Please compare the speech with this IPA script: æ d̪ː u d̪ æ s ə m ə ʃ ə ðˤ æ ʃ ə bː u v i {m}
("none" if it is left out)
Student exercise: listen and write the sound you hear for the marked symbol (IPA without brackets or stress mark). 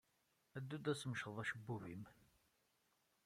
m